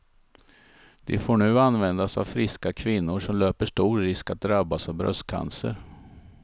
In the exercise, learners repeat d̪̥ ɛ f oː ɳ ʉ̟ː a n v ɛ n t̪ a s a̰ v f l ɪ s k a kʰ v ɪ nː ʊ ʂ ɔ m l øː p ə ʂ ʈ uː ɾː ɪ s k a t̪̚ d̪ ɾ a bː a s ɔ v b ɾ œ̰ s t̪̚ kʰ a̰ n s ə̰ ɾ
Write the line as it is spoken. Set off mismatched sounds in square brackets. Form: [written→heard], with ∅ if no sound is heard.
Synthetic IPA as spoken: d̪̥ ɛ f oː ɳ ʉ̟ː a n v ɛ n [t̪→d̪] a s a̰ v f [l→ɾ] ɪ s k a kʰ v ɪ nː ʊ ʂ ɔ m l øː p ə ʂ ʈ uː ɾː ɪ s k a t̪̚ d̪ ɾ a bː a s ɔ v b ɾ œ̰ s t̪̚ kʰ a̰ n s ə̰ ɾ